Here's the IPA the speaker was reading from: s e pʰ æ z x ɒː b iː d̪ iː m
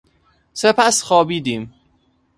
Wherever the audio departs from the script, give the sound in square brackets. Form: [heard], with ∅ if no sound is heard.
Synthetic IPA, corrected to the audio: s e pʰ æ [s] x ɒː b iː d̪ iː m

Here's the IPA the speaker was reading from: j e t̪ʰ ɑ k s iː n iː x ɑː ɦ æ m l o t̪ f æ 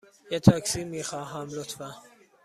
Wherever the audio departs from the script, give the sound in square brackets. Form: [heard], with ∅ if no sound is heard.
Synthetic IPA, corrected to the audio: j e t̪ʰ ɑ k s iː [m] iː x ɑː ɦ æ m l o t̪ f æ

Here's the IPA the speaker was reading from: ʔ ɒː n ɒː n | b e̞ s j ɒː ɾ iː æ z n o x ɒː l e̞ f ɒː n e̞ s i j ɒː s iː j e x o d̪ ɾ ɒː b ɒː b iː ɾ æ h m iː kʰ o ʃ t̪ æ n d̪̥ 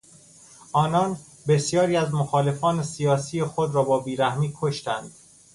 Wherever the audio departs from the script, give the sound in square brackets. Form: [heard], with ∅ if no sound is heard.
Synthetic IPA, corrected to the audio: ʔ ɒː n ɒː n | b e̞ s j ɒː ɾ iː æ z [m] o x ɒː l e̞ f ɒː n e̞ s i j ɒː s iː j e x o d̪ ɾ ɒː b ɒː b iː ɾ æ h m iː kʰ o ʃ t̪ æ n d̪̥

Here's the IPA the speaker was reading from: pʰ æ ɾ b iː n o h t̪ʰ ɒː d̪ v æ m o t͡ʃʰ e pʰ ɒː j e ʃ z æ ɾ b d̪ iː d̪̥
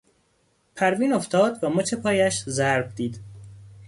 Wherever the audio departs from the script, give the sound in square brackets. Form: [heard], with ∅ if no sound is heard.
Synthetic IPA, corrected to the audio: pʰ æ ɾ [v] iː n o [f] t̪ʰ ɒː d̪ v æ m o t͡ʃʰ e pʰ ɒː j [æ] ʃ z æ ɾ b d̪ iː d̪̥

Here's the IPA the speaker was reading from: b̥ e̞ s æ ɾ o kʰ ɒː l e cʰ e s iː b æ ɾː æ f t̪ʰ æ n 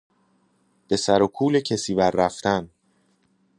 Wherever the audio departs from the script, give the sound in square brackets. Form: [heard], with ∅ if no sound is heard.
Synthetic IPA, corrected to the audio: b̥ e̞ s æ ɾ o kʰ [uː] l e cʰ e s iː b æ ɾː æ f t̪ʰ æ n

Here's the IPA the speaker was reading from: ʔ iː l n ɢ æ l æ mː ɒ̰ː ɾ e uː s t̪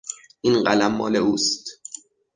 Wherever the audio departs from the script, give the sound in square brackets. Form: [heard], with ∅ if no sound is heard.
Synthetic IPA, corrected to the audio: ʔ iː [∅] n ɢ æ l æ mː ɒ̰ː [l] e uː s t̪

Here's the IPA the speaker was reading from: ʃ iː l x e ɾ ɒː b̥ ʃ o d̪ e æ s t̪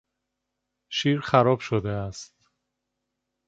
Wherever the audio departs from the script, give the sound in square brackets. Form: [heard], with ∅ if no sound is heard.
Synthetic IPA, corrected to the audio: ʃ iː [ɾ] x [æ] ɾ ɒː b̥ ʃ o d̪ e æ s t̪

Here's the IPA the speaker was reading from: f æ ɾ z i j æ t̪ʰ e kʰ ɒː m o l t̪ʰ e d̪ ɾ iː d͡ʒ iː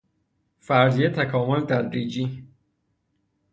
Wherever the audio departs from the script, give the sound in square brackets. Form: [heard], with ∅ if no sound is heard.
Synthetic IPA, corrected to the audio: f æ ɾ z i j [e] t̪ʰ [æ] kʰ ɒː m o l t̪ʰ [æ] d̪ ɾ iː d͡ʒ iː

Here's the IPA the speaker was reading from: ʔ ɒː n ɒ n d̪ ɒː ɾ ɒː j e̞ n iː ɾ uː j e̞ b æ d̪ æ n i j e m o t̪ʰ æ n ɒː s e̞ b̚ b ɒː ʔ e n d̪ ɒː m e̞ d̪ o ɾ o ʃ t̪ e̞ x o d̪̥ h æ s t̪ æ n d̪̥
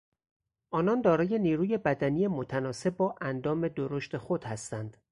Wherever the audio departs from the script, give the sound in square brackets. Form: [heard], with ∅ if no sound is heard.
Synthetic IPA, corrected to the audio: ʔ ɒː n ɒ n d̪ ɒː ɾ ɒː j e̞ n iː ɾ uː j e̞ b æ d̪ æ n i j e m o t̪ʰ æ n ɒː s e̞ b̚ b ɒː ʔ [æ] n d̪ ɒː m e̞ d̪ o ɾ o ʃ t̪ e̞ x o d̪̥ h æ s t̪ æ n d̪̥

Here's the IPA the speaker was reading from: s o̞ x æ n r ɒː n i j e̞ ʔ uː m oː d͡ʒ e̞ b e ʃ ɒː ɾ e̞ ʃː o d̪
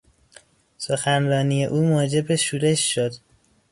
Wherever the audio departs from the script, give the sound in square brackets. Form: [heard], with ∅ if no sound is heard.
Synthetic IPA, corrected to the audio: s o̞ x æ n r ɒː n i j e̞ ʔ uː m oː d͡ʒ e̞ b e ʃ [uː] ɾ e̞ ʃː o d̪

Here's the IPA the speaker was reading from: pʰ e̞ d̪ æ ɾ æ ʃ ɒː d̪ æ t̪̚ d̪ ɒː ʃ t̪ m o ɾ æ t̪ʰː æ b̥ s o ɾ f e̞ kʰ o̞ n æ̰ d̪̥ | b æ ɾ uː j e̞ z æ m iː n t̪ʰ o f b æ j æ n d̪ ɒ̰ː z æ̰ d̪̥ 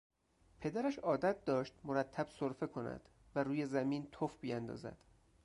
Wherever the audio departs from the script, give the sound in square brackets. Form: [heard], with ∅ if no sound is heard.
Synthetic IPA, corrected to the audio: pʰ e̞ d̪ æ ɾ æ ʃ ɒː d̪ æ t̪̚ d̪ ɒː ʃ t̪ m o ɾ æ t̪ʰː æ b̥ s o ɾ f e̞ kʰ o̞ n æ̰ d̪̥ | [v] æ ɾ uː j e̞ z æ m iː n t̪ʰ o f b [i] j æ n d̪ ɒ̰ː z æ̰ d̪̥

